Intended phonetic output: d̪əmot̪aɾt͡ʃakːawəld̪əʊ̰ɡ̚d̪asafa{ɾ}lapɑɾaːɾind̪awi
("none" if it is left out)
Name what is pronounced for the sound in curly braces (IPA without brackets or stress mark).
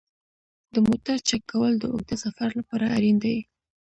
ɾ